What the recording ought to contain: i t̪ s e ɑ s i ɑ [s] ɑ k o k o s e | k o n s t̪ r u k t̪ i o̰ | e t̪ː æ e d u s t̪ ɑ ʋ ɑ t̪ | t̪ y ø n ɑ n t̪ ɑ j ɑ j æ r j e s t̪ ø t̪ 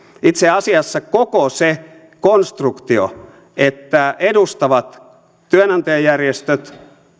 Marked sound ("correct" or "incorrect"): incorrect